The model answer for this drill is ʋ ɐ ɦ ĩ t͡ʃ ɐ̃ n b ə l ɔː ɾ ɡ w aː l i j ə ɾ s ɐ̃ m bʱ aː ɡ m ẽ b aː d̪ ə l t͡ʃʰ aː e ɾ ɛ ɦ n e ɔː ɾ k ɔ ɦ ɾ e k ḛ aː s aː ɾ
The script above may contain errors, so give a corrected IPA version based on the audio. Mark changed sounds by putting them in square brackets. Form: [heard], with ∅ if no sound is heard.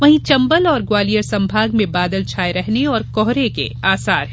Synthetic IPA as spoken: ʋ ɐ ɦ ĩ t͡ʃ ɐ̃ [m] b ə l ɔː ɾ ɡ w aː l i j ə ɾ s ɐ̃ m bʱ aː ɡ m ẽ b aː d̪ ə l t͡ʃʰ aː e ɾ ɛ ɦ n e ɔː ɾ k ɔ ɦ ɾ e k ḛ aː s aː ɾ